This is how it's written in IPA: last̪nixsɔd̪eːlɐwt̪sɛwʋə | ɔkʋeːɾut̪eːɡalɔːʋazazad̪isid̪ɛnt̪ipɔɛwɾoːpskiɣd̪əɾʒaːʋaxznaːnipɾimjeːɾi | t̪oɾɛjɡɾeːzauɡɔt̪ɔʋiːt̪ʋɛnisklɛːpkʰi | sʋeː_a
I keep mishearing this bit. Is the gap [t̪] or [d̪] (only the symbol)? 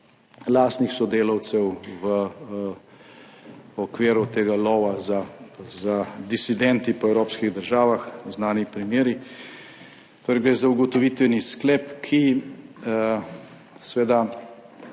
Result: d̪